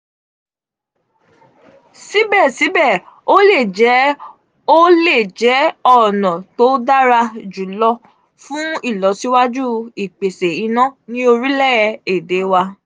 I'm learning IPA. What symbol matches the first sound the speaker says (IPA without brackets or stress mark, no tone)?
s